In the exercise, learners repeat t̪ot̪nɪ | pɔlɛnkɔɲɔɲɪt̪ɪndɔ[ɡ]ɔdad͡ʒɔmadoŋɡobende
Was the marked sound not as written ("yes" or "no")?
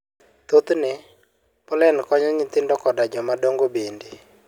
yes